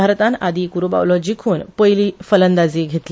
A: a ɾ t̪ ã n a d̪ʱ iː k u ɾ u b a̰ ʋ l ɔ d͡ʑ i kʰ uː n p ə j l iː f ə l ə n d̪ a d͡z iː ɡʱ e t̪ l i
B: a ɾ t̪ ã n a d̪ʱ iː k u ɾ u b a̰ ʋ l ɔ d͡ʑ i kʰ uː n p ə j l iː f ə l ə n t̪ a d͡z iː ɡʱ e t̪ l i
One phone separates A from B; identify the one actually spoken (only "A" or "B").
A